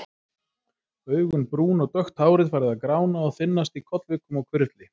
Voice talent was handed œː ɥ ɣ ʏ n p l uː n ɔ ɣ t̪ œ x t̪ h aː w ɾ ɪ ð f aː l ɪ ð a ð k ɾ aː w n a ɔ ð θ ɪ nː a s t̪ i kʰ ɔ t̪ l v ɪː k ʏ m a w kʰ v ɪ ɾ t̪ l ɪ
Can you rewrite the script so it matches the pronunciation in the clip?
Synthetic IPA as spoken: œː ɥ ɣ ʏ n p ɾ uː n ɔ ɣ t̪ œ x t̪ h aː w ɾ ɪ ð f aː ɾ ɪ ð a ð k ɾ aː w n a ɔ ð θ ɪ nː a s t̪ i kʰ ɔ t̪ l v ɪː k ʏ m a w kʰ v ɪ ɾ t̪ l ɪ